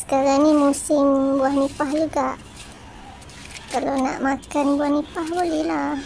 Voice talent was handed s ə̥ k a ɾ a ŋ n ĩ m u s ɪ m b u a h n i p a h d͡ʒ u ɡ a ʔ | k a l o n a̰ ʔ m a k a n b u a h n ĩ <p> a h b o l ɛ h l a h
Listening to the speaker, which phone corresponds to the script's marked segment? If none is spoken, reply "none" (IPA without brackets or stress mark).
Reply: p